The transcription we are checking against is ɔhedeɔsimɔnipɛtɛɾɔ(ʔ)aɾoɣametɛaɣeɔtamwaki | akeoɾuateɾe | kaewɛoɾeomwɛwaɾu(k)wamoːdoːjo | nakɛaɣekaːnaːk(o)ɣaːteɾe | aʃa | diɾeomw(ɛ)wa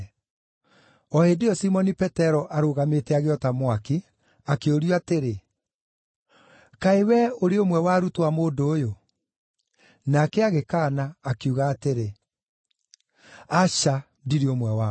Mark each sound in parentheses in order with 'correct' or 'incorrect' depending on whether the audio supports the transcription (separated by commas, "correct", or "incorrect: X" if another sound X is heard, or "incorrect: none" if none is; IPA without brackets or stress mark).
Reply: correct, incorrect: t, incorrect: u, correct